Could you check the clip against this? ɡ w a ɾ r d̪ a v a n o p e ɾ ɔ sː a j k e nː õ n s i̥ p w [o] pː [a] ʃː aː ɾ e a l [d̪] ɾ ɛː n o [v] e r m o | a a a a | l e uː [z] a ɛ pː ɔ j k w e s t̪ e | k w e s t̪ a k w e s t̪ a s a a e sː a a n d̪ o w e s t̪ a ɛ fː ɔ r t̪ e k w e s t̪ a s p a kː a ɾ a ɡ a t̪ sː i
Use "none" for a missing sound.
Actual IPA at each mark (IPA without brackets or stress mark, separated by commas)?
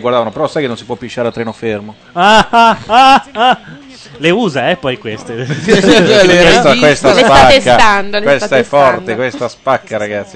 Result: ɔ, i, t̪, f, z